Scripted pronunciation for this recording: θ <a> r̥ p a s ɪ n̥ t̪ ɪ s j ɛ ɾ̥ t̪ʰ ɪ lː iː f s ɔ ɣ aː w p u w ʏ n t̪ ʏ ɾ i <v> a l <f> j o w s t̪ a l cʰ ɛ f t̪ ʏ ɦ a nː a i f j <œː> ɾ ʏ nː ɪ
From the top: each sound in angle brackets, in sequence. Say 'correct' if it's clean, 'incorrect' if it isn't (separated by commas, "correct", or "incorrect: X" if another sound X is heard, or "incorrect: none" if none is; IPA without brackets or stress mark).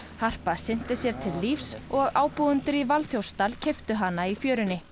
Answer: correct, correct, incorrect: θ, correct